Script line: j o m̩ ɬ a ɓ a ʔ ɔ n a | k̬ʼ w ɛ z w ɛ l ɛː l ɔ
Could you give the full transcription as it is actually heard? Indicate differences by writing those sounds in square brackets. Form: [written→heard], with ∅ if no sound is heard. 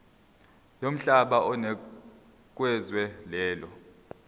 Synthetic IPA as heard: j o m̩ ɬ a ɓ a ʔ ɔ n [a→ɛ] | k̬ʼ w ɛ z w ɛ l ɛː l ɔ